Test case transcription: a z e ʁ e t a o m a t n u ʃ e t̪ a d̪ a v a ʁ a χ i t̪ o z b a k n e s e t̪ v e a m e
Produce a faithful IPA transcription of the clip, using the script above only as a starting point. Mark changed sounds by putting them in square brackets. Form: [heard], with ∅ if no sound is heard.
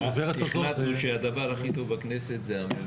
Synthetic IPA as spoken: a [v] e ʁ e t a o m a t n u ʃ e [∅] a d̪ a v a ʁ a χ i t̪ o [v] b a k n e s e t̪ [z] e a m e